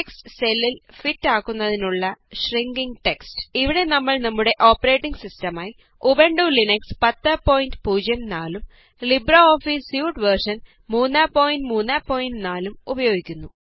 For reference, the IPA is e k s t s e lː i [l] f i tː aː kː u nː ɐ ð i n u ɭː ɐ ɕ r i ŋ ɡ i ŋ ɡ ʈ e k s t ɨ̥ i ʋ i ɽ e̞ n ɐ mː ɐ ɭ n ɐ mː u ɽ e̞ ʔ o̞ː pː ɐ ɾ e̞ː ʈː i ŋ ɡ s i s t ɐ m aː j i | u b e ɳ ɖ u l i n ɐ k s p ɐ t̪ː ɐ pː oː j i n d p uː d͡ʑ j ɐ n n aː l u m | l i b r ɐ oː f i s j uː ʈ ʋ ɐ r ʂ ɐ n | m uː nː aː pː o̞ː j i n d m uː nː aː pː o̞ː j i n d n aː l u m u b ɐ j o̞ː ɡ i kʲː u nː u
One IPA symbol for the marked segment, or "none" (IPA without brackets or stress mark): l